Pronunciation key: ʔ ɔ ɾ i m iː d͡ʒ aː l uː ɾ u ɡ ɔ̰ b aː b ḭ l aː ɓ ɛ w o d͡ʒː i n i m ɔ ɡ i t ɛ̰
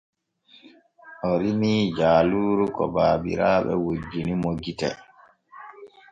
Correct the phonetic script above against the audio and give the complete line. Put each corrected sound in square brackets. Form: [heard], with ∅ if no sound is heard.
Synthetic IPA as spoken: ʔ ɔ ɾ i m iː d͡ʒ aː l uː ɾ u [k] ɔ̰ b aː b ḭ [ɾ] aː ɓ ɛ w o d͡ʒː i n i m [o] ɡ i t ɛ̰